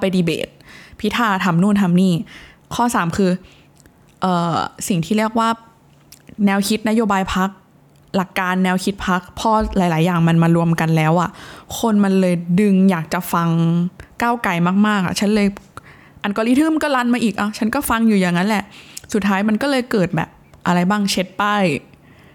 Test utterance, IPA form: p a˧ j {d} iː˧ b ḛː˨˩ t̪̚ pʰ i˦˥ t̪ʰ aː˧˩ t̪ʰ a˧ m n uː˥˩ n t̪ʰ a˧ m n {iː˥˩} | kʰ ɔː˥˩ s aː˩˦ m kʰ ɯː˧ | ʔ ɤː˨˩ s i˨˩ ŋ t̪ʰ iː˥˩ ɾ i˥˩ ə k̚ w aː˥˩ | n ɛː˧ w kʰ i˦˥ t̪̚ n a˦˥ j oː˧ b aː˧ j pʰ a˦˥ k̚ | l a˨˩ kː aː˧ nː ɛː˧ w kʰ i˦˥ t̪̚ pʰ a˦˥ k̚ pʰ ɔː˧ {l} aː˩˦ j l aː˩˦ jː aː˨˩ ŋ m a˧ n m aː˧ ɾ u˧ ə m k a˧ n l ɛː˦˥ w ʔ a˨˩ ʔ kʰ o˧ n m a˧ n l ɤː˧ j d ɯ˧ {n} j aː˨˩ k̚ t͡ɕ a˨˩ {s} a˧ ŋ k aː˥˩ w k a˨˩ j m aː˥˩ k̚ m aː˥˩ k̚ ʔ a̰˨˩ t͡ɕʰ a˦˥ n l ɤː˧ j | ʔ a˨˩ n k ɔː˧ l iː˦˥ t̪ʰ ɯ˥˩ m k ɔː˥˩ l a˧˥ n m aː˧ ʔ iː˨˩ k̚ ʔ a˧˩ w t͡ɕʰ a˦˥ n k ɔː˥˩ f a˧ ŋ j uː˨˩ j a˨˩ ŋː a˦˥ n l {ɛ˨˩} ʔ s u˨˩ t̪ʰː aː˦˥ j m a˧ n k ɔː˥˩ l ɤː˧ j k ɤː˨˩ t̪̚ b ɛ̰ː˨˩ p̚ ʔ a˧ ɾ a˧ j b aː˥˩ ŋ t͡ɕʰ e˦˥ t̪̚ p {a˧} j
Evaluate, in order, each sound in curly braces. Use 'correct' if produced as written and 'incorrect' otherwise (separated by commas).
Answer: correct, correct, correct, incorrect, incorrect, correct, incorrect